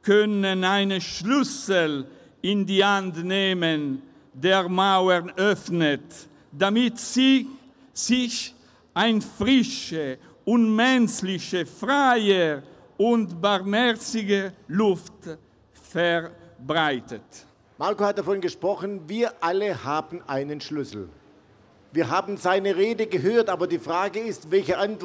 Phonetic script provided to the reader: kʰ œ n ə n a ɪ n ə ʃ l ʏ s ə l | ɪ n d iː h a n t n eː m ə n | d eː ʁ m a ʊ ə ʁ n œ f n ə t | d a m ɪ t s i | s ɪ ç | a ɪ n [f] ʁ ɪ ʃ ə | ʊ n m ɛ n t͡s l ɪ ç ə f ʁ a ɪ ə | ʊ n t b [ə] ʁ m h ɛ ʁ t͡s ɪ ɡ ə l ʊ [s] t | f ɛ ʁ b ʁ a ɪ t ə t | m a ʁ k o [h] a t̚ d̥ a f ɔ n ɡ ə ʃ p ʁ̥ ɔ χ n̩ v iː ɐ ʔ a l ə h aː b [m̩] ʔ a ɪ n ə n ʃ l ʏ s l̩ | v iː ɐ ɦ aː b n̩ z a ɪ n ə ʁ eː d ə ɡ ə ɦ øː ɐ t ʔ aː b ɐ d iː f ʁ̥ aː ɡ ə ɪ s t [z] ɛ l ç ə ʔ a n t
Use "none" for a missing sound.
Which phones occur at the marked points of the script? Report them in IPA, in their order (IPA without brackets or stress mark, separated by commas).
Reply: f, a, f, h, n̩, v